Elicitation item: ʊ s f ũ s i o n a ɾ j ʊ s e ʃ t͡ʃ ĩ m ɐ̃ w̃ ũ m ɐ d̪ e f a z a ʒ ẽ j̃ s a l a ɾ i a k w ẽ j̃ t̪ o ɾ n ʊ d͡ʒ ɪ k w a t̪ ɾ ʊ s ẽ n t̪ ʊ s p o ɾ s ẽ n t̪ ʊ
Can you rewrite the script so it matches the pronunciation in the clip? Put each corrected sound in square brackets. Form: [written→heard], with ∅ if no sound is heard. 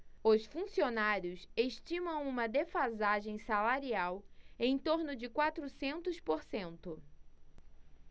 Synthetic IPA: ʊ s f ũ s i o n a ɾ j ʊ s e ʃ t͡ʃ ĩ m ɐ̃ w̃ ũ m ɐ d̪ e f a z a ʒ ẽ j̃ s a l a ɾ i a [k→∅] w ẽ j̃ t̪ o ɾ n ʊ d͡ʒ ɪ k w a t̪ ɾ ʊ s ẽ n t̪ ʊ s p o ɾ s ẽ n t̪ ʊ